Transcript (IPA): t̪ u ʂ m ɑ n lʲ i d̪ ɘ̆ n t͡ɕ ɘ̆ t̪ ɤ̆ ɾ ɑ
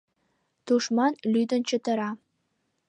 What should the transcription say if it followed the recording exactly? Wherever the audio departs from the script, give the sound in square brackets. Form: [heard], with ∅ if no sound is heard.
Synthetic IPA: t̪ u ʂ m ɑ n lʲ [y] d̪ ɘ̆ n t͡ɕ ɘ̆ t̪ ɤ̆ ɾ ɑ